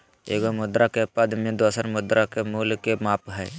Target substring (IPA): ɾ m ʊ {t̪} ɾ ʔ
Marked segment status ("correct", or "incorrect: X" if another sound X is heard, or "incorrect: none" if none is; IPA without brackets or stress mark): incorrect: d̪